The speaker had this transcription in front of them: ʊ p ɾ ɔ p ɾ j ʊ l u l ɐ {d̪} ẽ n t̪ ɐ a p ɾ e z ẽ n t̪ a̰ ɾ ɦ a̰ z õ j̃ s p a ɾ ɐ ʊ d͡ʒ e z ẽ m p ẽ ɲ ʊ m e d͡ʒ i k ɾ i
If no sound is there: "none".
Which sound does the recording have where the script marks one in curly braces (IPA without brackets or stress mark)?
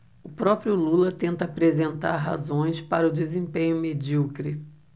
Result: t̪